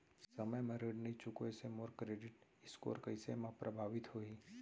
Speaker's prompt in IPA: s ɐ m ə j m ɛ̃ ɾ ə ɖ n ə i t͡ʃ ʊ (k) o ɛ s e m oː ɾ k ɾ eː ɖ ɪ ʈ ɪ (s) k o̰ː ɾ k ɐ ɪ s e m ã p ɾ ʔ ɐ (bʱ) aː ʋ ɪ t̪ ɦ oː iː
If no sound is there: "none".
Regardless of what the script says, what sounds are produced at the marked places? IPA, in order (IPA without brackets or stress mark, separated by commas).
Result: k, s, bʱ